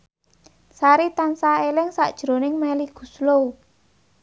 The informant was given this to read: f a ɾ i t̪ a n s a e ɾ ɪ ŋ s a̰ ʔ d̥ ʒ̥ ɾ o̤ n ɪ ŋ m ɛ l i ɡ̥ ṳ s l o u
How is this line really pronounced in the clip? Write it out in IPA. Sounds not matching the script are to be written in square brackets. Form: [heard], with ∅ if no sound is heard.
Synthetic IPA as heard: [s] a ɾ i t̪ a n s a e [l] ɪ ŋ s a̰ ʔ d̥ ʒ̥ ɾ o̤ n ɪ ŋ m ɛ l i ɡ̥ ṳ s l o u